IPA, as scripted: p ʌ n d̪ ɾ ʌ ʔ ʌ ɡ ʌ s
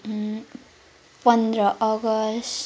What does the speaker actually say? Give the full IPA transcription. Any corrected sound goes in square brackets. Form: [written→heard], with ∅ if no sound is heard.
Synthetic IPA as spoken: p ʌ n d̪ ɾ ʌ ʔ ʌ ɡ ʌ s